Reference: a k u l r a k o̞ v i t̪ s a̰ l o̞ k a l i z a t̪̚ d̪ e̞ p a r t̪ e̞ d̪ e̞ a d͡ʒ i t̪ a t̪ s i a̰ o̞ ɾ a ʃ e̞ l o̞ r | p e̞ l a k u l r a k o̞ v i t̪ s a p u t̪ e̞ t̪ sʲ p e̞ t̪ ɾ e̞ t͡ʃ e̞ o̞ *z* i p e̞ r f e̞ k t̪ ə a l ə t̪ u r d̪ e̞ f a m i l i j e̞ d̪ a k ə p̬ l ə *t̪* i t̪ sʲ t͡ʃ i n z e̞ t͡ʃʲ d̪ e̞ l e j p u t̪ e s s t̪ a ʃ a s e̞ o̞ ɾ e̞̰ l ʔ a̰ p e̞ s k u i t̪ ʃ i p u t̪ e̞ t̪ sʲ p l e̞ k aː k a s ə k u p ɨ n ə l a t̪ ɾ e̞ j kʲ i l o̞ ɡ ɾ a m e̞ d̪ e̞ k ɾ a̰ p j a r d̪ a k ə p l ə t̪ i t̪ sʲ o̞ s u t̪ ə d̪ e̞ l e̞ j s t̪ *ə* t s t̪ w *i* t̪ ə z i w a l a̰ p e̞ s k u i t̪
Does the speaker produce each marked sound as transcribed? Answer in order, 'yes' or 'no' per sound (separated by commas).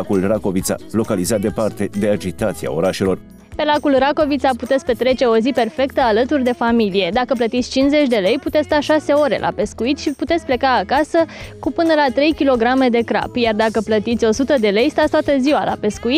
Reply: yes, yes, no, no